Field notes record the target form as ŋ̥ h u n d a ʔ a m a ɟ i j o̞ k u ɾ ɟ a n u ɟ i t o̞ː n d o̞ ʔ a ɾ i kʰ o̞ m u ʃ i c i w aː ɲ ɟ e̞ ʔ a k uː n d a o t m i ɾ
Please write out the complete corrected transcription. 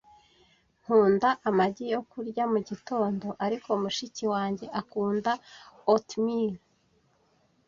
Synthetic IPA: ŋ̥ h uː n d a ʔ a m a ɟ i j o̞ k u ɾ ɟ a m u ɟ i t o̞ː n d o̞ ʔ a ɾ i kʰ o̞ m u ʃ i c i w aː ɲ ɟ e̞ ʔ a k uː n d a o t m i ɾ